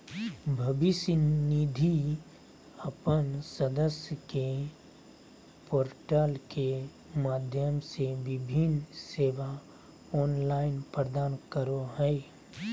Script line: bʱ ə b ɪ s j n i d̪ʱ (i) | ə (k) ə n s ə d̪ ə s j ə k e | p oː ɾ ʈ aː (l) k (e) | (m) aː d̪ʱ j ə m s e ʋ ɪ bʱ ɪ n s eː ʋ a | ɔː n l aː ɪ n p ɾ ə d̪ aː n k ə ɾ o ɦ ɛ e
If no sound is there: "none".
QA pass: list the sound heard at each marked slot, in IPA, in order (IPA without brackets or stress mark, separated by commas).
i, p, l, e, m